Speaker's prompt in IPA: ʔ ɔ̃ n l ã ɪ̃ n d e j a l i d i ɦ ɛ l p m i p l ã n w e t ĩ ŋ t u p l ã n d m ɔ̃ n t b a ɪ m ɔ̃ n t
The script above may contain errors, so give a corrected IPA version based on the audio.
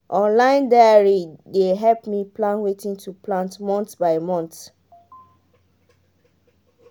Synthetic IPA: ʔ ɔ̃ n l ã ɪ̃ n d a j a ɹ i d e ɦ ɛ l p m i p l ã n w e t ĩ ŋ t u p l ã n t m ɔ̃ n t b a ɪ m ɔ̃ n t